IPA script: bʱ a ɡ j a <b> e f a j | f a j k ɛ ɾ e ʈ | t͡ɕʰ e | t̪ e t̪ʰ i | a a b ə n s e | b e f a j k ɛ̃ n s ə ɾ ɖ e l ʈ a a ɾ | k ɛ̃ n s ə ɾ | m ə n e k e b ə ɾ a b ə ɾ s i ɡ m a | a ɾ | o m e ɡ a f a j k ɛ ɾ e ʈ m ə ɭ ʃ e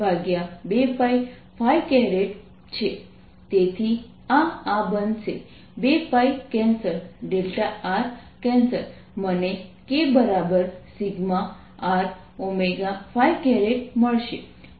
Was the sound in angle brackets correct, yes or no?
yes